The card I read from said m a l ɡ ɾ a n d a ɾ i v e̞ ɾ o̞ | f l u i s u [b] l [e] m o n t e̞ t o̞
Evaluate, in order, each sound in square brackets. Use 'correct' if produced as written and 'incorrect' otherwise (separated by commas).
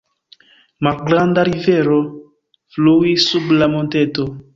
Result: correct, incorrect